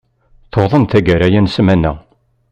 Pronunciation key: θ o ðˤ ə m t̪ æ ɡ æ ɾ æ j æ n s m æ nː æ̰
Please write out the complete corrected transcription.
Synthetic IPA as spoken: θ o ðˤ ə n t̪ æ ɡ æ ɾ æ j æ n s m æ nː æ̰